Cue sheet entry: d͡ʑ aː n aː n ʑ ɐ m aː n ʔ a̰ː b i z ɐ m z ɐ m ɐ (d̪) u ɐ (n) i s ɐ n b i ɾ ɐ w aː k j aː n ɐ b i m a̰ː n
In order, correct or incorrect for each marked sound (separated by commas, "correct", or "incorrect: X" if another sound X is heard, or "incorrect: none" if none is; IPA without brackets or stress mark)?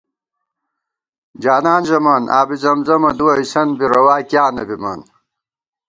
correct, incorrect: none